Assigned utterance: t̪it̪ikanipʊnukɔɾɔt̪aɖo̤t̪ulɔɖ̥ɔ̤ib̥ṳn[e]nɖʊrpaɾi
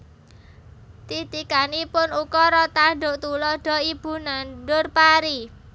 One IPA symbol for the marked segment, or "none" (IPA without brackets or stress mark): a